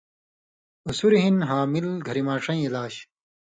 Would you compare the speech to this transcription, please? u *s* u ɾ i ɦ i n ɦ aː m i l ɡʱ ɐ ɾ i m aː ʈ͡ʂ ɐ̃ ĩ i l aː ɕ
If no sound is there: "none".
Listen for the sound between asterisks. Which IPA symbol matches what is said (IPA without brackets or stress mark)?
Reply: s